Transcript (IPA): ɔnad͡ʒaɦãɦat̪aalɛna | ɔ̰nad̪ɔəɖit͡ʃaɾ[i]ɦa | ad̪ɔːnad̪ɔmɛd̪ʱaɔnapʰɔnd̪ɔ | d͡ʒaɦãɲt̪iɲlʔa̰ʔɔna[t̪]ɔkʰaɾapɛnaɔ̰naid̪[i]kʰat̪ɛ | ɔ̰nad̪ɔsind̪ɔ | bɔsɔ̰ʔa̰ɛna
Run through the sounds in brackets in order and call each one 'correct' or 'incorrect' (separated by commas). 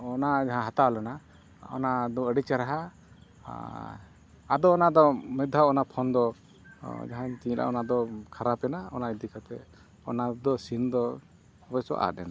incorrect, incorrect, correct